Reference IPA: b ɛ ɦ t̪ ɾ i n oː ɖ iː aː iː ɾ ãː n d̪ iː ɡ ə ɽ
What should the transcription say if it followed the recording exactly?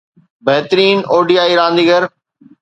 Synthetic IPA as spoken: b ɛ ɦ t̪ ɾ iː n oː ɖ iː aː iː ɾ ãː n d̪ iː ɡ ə ɾ